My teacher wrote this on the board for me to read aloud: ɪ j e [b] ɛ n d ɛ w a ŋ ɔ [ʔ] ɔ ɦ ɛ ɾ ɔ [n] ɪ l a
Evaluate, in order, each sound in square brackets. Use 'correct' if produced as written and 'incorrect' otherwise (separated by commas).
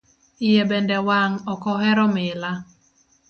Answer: correct, incorrect, incorrect